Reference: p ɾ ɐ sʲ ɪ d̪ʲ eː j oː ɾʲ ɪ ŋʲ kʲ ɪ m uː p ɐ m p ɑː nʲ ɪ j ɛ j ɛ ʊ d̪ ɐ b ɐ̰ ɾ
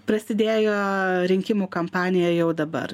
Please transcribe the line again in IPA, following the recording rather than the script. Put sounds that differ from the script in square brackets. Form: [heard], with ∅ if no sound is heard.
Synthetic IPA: p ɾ ɐ sʲ ɪ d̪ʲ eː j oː ɾʲ ɪ ŋʲ kʲ ɪ m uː [k] ɐ m p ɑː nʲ ɪ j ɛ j ɛ ʊ d̪ ɐ b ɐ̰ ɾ

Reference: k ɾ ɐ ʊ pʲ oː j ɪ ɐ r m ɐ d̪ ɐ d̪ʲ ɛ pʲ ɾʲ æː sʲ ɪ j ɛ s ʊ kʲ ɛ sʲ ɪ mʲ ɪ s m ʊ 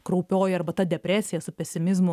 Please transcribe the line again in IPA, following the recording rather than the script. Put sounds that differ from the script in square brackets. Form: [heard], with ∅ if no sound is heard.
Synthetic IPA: k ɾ ɐ ʊ pʲ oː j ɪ ɐ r [b] ɐ [t̪] ɐ d̪ʲ ɛ pʲ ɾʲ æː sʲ ɪ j ɛ s ʊ [pʲ] ɛ sʲ ɪ mʲ ɪ [z] m ʊ

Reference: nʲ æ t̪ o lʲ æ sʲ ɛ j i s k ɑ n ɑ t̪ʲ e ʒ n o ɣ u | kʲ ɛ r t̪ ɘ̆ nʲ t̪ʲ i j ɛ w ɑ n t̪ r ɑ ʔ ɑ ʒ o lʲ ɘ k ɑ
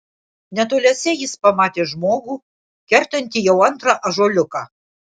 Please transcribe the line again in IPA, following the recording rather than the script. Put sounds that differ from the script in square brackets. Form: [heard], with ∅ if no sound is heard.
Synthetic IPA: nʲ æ t̪ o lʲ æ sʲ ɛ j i s [p] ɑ [m] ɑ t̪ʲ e ʒ [m] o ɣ u | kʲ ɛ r t̪ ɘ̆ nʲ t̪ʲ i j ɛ w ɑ n t̪ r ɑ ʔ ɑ ʒ o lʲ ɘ k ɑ

